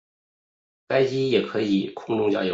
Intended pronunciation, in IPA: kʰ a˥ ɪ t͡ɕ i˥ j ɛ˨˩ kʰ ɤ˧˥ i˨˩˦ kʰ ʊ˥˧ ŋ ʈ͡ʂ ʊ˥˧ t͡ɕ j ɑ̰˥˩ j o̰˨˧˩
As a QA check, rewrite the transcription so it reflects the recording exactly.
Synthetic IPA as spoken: k a˥ ɪ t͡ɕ i˥ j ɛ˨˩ kʰ ɤ˧˥ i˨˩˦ kʰ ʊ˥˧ ŋ ʈ͡ʂ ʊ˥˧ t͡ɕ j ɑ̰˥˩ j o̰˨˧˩